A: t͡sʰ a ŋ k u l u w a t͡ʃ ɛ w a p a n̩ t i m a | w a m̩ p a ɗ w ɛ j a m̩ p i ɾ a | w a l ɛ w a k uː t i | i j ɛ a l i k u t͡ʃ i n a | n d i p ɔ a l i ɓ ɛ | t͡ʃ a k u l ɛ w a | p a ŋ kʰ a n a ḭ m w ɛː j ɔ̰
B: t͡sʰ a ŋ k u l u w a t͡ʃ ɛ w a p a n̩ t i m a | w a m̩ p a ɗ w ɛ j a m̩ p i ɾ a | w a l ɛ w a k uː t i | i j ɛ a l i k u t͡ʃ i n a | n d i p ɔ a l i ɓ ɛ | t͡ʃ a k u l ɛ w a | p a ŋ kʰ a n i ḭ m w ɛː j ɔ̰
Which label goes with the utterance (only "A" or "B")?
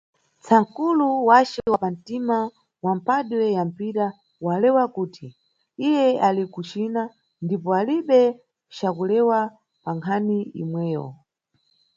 B